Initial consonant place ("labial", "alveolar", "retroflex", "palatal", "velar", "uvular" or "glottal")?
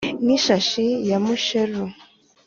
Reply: alveolar